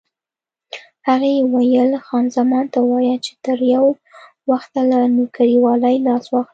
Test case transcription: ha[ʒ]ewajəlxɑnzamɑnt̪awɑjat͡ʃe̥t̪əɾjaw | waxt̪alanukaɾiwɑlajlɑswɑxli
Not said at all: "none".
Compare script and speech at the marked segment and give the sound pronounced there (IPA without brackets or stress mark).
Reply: ɣ